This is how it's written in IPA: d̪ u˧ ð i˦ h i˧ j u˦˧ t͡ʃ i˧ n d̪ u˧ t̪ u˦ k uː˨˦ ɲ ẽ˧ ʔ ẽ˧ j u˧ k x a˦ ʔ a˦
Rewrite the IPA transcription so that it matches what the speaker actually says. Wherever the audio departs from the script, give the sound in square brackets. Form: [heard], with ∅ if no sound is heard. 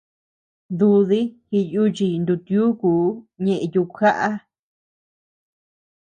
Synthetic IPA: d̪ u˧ ð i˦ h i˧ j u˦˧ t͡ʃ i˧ n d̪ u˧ t̪ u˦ k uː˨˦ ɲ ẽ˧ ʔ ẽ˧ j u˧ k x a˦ ʔ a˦